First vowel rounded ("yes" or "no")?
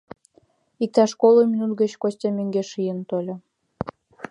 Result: no